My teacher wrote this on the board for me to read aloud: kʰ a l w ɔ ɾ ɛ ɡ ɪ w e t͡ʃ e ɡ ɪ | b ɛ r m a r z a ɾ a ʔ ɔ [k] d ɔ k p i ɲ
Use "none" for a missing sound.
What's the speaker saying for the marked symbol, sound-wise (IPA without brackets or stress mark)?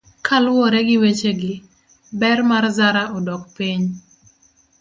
none